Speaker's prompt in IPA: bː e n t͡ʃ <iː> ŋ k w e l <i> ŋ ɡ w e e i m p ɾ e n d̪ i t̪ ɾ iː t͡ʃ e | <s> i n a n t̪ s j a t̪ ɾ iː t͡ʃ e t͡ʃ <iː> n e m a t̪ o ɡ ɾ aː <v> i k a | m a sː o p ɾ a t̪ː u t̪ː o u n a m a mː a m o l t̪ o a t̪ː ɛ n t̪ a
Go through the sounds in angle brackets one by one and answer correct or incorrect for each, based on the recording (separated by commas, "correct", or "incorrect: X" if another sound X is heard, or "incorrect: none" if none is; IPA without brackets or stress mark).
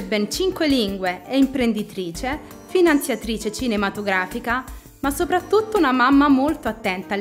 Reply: incorrect: i, correct, incorrect: f, incorrect: i, incorrect: f